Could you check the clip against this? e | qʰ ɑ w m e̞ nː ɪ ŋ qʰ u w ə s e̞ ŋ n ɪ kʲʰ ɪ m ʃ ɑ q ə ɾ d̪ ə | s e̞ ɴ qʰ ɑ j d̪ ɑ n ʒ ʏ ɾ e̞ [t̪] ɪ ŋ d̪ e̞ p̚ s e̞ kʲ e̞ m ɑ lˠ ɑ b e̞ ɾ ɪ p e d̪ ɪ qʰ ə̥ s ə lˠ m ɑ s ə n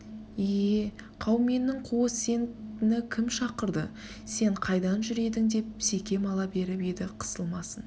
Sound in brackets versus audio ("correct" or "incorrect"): incorrect